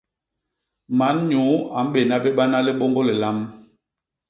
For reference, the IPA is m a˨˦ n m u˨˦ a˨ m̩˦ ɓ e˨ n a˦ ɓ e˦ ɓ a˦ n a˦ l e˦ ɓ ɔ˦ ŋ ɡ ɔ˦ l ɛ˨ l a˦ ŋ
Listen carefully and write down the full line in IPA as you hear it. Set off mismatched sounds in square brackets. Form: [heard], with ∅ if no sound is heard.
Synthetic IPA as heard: m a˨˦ n [ɲ] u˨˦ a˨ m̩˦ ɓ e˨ n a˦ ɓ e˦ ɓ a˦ n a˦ l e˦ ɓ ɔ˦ ŋ ɡ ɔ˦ l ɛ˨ l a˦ [m]